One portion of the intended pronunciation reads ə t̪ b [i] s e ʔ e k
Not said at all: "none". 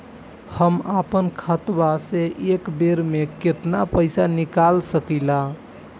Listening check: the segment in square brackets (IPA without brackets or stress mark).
a